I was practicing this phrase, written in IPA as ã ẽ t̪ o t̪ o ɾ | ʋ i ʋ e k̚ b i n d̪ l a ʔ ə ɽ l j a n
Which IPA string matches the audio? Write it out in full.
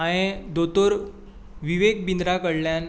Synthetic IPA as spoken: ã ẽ d̪ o t̪ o ɾ | ʋ i ʋ e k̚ b i n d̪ ɾ a k ə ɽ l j a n